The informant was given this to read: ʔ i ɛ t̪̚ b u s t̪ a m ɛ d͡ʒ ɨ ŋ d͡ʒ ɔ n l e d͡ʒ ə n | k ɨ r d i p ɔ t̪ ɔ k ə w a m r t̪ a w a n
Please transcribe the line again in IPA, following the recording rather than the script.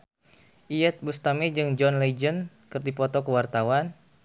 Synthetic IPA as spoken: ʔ i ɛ t̪̚ b u s t̪ a m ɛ d͡ʒ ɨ ŋ d͡ʒ ɔ n l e d͡ʒ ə n | k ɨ r d i p ɔ t̪ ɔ k ə w a r t̪ a w a n